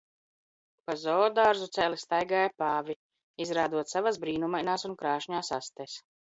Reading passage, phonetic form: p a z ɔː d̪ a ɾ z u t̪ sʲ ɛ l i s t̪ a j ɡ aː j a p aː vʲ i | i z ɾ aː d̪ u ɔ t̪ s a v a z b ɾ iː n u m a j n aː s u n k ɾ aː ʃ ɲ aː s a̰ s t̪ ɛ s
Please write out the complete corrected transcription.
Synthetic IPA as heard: p a z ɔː d̪ a ɾ z u t̪ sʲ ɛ l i s t̪ a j ɡ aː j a p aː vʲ i | i z ɾ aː d̪ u ɔ t̪ s a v a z b ɾ iː n u m a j n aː s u n k ɾ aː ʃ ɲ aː s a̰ s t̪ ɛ s